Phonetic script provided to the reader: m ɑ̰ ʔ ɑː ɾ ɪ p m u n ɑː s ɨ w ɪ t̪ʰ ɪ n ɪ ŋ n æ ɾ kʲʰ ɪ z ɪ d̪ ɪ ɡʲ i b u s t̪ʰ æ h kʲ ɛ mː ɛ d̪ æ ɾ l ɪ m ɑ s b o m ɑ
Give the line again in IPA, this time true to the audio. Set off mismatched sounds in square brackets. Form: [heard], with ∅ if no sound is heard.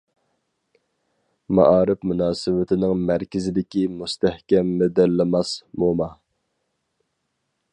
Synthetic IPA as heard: m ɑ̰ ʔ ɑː ɾ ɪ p m u n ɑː s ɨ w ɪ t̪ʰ ɪ n ɪ ŋ [m] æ ɾ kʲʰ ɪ z ɪ d̪ ɪ [kʲ] i [m] u s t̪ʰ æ h kʲ ɛ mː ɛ d̪ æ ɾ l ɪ m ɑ s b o m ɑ